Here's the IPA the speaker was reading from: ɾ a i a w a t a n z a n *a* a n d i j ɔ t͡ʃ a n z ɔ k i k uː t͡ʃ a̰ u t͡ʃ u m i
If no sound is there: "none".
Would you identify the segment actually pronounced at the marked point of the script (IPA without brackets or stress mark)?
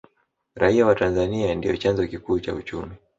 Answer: i